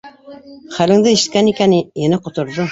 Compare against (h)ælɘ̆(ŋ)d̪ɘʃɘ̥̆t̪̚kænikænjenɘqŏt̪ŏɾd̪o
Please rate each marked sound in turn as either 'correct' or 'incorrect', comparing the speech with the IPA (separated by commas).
incorrect, correct